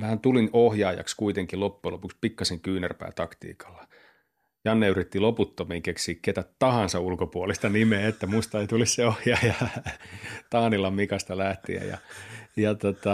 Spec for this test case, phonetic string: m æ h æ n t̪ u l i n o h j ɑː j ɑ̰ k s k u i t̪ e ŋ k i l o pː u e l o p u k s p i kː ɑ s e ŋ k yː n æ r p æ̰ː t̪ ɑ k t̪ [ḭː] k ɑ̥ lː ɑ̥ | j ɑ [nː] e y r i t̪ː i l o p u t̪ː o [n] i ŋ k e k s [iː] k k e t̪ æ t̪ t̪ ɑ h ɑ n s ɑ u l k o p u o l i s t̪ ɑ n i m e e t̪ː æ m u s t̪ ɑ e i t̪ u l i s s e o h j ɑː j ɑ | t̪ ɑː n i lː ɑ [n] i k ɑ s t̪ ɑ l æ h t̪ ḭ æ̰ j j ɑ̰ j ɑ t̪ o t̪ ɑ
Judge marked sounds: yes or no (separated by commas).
yes, yes, no, yes, no